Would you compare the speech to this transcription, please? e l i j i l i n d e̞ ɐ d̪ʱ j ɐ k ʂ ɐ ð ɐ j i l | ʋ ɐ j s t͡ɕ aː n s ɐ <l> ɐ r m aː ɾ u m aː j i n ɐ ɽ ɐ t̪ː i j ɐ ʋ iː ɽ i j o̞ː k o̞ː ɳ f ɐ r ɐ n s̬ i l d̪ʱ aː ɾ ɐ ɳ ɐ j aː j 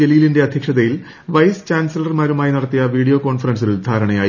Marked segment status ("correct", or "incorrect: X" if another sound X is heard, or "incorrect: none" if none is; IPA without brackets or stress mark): correct